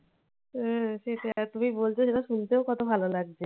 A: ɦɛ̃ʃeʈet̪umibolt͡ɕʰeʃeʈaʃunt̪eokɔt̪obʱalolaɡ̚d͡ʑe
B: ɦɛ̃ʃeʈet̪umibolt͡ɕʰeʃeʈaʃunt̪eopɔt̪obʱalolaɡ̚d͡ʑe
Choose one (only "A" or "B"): A